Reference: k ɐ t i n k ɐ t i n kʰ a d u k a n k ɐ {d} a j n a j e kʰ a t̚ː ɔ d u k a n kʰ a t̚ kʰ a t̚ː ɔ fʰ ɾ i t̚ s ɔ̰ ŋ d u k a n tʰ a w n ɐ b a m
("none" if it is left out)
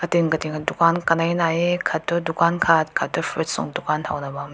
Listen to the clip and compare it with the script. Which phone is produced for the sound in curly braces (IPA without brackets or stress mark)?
n